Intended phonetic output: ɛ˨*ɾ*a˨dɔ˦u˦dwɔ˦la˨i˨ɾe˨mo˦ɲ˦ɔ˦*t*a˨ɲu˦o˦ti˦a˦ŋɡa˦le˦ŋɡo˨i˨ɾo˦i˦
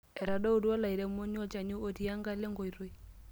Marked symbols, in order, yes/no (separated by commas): yes, no